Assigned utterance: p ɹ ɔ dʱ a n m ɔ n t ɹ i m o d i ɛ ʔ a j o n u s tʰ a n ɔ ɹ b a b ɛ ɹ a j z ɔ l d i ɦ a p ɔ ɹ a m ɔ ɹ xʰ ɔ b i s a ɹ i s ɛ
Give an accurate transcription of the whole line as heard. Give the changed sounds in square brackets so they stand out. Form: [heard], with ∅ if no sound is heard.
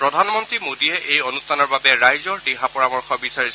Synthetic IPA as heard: p ɹ ɔ dʱ a n m ɔ n t ɹ i m o d i ɛ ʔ [e] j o n u s tʰ a n ɔ ɹ b a b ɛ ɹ a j z ɔ [ɹ] d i ɦ a p ɔ ɹ a m ɔ ɹ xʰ ɔ b i s a ɹ i s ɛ